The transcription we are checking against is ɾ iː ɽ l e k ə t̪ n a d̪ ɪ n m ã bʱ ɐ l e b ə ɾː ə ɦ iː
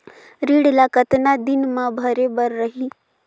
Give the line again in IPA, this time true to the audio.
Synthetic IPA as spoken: ɾ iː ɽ l a k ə t̪ n a d̪ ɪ n m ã bʱ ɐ ɾ e b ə ɾː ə ɦ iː